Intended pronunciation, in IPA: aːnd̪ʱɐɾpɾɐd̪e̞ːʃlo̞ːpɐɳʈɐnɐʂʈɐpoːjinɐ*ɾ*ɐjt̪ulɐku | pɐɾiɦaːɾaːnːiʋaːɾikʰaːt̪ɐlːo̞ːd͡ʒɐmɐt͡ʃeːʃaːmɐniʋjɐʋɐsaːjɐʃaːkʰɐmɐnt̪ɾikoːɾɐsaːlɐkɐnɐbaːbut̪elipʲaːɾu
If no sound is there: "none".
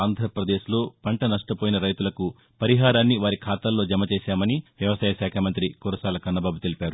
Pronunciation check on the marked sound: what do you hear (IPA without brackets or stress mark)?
ɾ